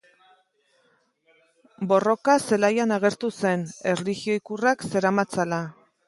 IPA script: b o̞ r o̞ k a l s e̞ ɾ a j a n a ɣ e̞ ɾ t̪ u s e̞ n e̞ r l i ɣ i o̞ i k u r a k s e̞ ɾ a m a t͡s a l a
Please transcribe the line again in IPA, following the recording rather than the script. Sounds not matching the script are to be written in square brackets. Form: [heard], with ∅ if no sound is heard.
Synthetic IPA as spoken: b o̞ r o̞ k a [∅] s e̞ [l] a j a n a ɣ e̞ ɾ t̪ u s e̞ n e̞ r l i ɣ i o̞ i k u r a k s e̞ ɾ a m a t͡s a l a